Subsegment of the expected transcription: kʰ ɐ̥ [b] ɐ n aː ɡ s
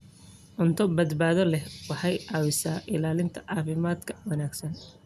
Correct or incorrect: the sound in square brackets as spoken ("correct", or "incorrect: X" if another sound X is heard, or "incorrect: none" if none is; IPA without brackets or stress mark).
incorrect: w